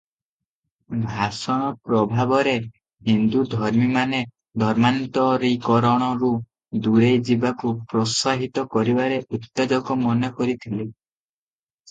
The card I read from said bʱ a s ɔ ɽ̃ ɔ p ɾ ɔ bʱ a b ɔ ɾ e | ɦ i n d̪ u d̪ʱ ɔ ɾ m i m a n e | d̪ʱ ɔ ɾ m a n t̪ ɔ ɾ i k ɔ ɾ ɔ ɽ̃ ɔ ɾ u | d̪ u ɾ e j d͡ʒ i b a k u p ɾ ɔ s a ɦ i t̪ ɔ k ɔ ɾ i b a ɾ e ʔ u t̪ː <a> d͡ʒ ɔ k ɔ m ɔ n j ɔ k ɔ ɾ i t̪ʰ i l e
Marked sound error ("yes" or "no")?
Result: yes